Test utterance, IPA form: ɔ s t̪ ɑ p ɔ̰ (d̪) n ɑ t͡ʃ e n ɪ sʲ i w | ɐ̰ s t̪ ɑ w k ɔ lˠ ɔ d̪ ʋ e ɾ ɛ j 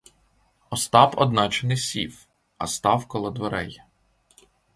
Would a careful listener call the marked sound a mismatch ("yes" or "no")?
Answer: no